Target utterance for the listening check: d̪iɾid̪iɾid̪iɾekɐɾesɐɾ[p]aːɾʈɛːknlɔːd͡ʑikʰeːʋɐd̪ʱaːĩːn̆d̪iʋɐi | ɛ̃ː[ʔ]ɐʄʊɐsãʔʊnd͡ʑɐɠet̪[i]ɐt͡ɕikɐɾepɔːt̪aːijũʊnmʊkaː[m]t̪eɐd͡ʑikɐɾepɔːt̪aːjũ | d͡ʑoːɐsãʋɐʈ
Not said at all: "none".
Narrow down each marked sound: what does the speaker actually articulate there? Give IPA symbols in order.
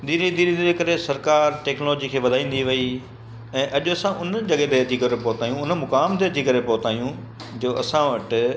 k, ʔ, e, m

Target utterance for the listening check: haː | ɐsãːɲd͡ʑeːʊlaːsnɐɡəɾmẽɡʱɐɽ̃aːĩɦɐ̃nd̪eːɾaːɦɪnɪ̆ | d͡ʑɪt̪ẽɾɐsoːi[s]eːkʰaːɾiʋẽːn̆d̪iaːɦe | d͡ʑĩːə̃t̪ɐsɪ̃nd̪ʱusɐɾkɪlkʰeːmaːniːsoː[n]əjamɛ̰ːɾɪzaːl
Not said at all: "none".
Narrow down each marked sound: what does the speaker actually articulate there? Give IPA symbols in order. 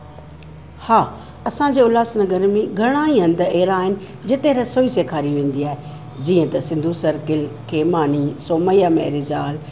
s, m

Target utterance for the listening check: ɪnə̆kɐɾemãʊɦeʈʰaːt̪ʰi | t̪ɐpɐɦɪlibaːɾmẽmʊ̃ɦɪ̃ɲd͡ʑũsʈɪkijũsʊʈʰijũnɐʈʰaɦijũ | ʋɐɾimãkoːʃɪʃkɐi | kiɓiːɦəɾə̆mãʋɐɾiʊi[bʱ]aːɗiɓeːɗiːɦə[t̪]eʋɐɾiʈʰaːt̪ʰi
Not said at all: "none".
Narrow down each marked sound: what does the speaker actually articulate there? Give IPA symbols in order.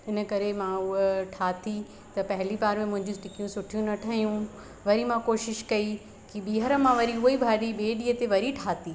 bʱ, t̪

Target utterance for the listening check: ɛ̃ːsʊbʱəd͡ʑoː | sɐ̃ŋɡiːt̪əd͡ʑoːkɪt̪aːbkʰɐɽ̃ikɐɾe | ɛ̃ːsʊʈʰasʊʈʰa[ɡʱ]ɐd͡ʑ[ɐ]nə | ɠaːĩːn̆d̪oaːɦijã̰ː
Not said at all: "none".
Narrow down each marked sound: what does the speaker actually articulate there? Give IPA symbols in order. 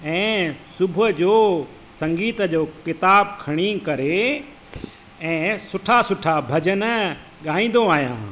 bʱ, ə

